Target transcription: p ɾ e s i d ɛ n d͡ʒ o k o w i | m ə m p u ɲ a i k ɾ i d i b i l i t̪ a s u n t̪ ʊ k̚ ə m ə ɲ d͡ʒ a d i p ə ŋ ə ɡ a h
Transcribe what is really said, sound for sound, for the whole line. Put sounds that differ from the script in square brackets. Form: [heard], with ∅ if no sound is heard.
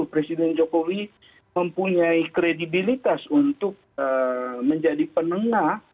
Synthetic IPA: p ɾ e s i d ɛ n d͡ʒ o k o w i | m ə m p u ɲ a i k ɾ [e] d i b i l i t̪ a s u n t̪ ʊ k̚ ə m ə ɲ d͡ʒ a d i p ə [n] ə [ŋ] a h